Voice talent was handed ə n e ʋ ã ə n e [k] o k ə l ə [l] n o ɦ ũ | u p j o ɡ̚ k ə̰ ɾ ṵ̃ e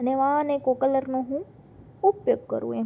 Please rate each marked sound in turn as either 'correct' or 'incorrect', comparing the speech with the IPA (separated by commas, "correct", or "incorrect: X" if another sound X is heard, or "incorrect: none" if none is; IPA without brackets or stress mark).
correct, incorrect: ɾ